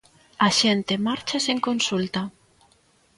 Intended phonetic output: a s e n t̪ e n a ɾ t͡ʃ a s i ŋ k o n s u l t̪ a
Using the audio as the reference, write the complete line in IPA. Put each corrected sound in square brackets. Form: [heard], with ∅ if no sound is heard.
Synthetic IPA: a [ʃ] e n t̪ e [m] a ɾ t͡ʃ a s [e] ŋ k o n s u l t̪ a

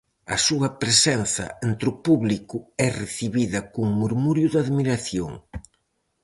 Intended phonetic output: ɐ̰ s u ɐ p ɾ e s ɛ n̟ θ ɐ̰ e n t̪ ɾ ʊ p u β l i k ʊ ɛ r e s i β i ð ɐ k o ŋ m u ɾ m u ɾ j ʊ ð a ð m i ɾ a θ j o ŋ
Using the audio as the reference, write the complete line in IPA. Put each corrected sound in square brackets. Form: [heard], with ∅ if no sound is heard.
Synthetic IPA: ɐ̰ s u ɐ p ɾ e s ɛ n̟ θ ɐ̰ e n t̪ ɾ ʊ p u β l i k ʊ ɛ r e [θ] i β i ð ɐ k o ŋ m u ɾ m u ɾ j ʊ ð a ð m i ɾ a θ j o ŋ

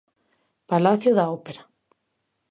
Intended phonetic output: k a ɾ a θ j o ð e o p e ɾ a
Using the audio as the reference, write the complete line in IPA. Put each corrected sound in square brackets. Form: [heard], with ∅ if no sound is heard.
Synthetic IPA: [p] a [l] a θ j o ð [a] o p e ɾ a

